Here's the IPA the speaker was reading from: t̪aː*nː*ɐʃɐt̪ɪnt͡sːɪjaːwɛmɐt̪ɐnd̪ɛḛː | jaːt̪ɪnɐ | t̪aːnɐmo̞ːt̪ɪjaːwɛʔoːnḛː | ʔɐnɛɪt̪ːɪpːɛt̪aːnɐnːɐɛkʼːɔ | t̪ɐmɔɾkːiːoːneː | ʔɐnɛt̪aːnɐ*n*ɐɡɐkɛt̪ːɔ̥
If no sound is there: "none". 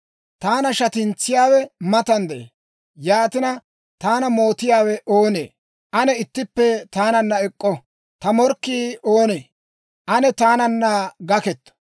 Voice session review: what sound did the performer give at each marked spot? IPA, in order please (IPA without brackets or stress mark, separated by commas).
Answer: n, nː